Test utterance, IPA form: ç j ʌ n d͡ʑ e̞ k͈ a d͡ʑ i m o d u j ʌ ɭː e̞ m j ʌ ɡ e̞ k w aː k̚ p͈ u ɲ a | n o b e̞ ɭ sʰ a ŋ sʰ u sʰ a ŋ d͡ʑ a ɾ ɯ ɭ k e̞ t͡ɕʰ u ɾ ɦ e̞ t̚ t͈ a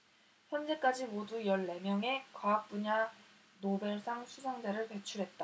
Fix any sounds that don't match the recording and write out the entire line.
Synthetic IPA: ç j ʌ n d͡ʑ e̞ k͈ a d͡ʑ i m o d u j ʌ ɭː e̞ m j ʌ ŋ e̞ k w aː k̚ p͈ u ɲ a | n o b e̞ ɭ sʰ a ŋ sʰ u sʰ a ŋ d͡ʑ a ɾ ɯ ɭ p e̞ t͡ɕʰ u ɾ ɦ e̞ t̚ t͈ a

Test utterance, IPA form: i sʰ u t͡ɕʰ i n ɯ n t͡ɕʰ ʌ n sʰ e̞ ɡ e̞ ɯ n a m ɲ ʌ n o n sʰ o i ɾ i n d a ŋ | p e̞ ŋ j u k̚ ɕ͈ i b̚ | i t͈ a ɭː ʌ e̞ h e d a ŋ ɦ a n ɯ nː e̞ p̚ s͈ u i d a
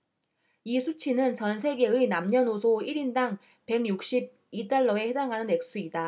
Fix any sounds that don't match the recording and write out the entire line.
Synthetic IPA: i sʰ u t͡ɕʰ i n ɯ n t͡ɕ ʌ n sʰ e̞ ɡ e̞ ɯ n a m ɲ ʌ n o sʰ o i ɾ i n d a ŋ | p e̞ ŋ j u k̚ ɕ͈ i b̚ | i t͈ a ɭː ʌ e̞ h e d a ŋ ɦ a n ɯ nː e̞ k̚ s͈ u i d a

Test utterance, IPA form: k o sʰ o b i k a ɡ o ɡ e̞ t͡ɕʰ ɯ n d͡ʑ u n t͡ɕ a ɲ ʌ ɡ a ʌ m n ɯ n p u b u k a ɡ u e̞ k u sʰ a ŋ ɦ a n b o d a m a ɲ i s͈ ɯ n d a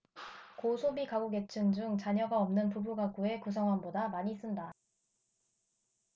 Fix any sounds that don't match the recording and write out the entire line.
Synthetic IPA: k o sʰ o b i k a ɡ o ɡ e̞ t͡ɕʰ ɯ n d͡ʑ u ŋ t͡ɕ a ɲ ʌ ɡ a ʌ m n ɯ n p u b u ɡ a ɡ u e̞ k u sʰ ʌ ŋ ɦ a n b o d a m a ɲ i s͈ ɯ n d a

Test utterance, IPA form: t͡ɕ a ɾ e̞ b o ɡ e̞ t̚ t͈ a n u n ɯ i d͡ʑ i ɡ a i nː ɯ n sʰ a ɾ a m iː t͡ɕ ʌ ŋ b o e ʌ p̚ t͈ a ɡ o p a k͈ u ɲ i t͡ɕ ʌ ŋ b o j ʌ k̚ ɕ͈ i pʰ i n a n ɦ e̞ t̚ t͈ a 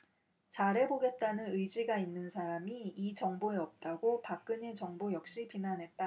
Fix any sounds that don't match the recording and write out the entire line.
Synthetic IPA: t͡ɕ a ɾ e̞ b o ɡ e̞ t̚ t͈ a n ɯ n ɯ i d͡ʑ i ɡ a i nː ɯ n sʰ a ɾ a m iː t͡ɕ ʌ ŋ b o e ʌ p̚ t͈ a ɡ o p a k͈ ɯ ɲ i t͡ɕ ʌ ŋ b o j ʌ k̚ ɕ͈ i p i n a n ɦ e̞ t̚ t͈ a

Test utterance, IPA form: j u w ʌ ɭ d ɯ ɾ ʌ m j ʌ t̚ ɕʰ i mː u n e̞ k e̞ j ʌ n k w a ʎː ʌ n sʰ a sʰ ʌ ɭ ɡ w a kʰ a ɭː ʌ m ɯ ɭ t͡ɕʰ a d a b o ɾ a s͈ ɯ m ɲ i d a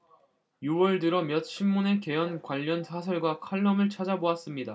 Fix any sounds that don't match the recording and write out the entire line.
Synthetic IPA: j u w ʌ ɭ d ɯ ɾ ʌ m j ʌ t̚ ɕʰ i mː u n e̞ k e̞ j ʌ n k w a ʎː ʌ n sʰ a sʰ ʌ ɭ ɡ w a kʰ a ɭː ʌ m ɯ ɭ t͡ɕʰ a d͡ʑ a b o a s͈ ɯ m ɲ i d a

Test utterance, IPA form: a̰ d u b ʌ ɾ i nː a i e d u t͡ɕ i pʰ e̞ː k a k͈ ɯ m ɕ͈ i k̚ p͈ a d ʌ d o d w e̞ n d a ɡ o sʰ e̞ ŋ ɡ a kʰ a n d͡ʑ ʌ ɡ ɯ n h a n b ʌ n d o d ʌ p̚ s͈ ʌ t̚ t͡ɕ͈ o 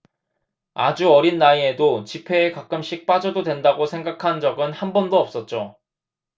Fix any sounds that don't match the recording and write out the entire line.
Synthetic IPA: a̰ d͡ʑ u ʌ ɾ i nː a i e d o t͡ɕ i pʰ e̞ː k a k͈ ɯ m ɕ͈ i k̚ p͈ a d͡ʑ ʌ d o d w e̞ n d a ɡ o sʰ e̞ ŋ ɡ a kʰ a n d͡ʑ ʌ ɡ ɯ n h a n b ʌ n d o ʌ p̚ s͈ ʌ t̚ t͡ɕ͈ o

